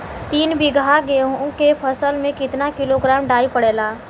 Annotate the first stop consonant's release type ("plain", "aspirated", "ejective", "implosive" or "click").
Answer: plain